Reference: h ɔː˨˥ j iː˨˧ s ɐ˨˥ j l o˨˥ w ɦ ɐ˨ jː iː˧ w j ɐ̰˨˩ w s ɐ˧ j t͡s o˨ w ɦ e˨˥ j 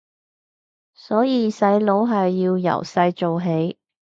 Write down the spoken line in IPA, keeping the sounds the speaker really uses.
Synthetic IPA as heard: s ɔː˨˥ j iː˨˧ s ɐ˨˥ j l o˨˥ w ɦ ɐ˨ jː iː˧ w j ɐ̰˨˩ w s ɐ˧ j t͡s o˨ w ɦ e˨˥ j